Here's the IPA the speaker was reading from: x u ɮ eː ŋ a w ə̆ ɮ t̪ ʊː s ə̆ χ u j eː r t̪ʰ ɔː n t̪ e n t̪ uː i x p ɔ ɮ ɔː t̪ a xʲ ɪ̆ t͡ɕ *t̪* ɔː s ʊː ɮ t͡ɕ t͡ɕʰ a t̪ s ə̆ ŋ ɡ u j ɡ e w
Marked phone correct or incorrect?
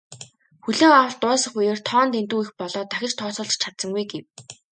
incorrect